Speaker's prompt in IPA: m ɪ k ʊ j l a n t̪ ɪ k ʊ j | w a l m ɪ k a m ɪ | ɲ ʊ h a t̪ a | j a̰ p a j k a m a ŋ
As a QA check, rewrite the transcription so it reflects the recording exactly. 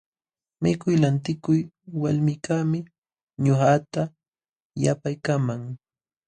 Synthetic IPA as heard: m ɪ k ʊ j l a n t̪ ɪ k ʊ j | w a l m ɪ k a m ɪ | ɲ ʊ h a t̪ a | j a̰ p a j k a m a ŋ